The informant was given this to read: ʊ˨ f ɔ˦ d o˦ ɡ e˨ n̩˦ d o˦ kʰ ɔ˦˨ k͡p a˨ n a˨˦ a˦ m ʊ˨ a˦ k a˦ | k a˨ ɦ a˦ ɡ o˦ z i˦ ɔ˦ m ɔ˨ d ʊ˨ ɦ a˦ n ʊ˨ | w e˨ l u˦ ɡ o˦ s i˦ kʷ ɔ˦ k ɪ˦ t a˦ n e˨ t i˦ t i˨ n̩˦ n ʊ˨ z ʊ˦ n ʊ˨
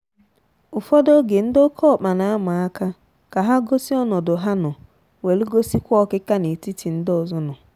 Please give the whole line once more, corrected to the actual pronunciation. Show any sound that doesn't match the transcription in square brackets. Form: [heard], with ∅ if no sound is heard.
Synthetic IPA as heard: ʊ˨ f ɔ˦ d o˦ ɡ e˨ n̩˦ d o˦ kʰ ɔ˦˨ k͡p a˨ n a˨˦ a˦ m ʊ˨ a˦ k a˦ | k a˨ ɦ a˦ ɡ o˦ [s] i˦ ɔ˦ [n] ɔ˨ d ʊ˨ ɦ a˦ n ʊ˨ | w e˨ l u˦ ɡ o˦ s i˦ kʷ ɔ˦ k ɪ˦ [k] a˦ n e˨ t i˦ t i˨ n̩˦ [d] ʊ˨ z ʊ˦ n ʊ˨